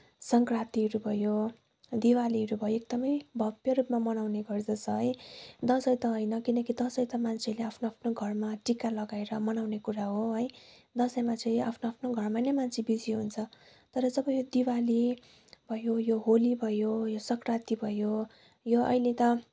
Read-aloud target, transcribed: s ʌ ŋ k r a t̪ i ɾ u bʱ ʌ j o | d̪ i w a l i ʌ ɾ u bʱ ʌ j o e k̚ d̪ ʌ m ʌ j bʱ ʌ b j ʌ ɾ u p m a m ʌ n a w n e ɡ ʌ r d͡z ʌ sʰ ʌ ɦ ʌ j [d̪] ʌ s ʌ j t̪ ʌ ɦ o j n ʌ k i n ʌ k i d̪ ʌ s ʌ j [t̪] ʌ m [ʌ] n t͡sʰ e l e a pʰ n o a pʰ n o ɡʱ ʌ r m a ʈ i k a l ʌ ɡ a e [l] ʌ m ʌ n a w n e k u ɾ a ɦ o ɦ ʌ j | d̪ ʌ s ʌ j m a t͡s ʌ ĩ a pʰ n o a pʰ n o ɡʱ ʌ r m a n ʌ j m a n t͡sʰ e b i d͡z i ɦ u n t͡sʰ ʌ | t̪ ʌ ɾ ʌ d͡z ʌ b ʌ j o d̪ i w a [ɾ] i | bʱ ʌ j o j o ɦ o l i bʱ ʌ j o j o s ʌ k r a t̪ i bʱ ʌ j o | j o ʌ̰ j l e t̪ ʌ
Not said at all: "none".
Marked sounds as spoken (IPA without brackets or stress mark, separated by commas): d̪, t̪, a, ɾ, l